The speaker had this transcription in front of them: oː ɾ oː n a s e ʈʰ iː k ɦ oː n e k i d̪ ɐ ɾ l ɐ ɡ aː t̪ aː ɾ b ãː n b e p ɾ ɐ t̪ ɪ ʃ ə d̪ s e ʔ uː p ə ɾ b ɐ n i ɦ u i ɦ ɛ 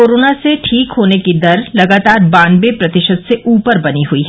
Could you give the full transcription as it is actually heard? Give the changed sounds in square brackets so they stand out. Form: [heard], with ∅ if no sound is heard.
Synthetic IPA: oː ɾ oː n a s e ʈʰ iː k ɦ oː n e k i d̪ ɐ ɾ l ɐ ɡ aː t̪ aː ɾ b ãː n b e p ɾ ɐ t̪ ɪ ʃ ə d̪ s e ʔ uː p ə ɾ b ɐ n i ɦ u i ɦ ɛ